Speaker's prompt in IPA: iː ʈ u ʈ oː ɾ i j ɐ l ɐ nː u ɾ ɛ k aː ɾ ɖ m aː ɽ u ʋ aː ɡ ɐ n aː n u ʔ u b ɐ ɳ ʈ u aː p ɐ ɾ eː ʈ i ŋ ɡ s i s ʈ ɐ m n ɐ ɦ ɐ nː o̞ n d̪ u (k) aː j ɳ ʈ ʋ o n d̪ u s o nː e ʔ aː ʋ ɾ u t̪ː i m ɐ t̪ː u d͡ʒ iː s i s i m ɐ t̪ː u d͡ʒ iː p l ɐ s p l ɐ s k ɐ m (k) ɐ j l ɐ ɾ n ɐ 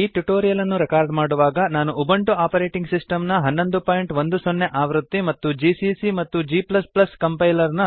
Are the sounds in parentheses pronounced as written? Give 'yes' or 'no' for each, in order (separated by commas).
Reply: no, no